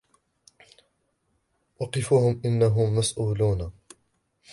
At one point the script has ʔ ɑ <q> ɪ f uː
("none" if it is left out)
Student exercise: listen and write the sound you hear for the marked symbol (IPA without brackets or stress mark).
q